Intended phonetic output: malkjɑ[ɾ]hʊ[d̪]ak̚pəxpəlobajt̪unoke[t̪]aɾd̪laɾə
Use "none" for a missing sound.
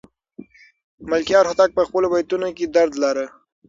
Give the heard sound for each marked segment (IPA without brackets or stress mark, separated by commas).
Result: ɾ, t̪, d̪